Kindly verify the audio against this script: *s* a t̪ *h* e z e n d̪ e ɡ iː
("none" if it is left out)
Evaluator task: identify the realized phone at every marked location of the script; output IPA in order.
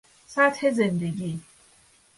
s, h

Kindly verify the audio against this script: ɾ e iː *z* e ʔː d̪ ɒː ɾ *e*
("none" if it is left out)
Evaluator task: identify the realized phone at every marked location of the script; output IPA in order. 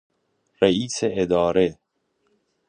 s, e

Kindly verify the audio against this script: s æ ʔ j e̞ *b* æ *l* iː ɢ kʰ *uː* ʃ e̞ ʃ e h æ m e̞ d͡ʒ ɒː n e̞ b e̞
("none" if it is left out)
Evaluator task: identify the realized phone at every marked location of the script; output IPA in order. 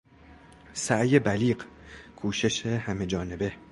b, l, uː

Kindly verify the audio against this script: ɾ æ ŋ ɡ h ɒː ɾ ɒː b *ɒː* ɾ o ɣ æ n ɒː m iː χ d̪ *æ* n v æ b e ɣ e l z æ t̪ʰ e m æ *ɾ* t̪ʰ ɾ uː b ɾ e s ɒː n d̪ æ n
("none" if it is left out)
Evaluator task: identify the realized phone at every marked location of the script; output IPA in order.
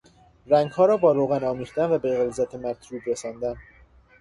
ɒː, æ, ɾ

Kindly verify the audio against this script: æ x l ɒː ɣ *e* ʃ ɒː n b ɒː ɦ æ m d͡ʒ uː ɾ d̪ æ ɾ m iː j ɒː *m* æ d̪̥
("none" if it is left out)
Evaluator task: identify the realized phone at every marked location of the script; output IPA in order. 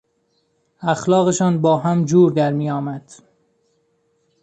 e, m

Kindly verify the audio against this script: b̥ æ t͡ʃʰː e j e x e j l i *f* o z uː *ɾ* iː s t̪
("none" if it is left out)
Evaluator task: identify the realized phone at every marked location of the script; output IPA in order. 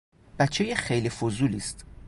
f, l

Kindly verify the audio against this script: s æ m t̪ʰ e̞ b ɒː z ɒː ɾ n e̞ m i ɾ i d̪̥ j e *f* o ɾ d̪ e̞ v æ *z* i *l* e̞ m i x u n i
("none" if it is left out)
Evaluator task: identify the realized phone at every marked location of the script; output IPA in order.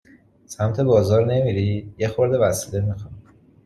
x, s, l

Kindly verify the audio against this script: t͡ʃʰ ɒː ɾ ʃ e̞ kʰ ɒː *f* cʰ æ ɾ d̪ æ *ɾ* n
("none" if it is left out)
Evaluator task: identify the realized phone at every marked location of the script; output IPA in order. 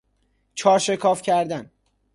f, none

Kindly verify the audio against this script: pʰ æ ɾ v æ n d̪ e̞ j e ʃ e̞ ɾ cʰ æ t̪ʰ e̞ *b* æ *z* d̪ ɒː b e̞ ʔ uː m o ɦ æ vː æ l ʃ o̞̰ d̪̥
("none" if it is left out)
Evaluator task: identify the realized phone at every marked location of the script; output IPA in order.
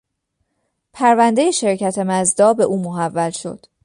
m, z

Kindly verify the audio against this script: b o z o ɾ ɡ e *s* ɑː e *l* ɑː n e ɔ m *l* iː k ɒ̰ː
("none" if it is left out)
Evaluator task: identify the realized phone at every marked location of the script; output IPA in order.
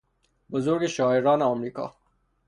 ʃ, ɾ, ɾ

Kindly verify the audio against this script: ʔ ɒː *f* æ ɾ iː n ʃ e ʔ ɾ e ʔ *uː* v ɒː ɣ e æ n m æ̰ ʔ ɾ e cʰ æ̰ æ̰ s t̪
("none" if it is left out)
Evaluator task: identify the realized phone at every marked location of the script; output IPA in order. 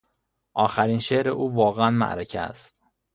x, uː

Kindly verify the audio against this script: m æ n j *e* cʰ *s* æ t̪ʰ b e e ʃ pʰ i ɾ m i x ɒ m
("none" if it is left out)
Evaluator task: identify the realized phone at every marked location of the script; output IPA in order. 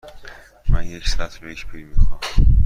e, s

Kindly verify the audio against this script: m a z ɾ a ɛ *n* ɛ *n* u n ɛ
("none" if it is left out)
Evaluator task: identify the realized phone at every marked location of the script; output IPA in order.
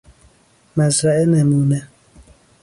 n, m

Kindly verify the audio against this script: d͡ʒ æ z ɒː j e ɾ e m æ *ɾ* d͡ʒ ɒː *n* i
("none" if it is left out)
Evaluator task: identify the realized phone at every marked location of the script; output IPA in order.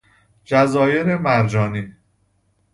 ɾ, n

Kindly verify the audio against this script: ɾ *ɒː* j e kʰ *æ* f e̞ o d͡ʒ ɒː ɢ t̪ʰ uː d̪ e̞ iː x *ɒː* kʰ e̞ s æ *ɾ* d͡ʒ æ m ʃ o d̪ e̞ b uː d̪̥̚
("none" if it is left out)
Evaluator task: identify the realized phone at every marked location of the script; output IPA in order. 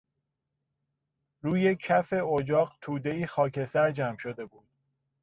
uː, æ, ɒː, ɾ

